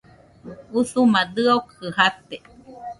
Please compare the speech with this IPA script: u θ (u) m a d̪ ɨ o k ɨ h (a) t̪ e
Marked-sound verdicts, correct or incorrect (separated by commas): correct, correct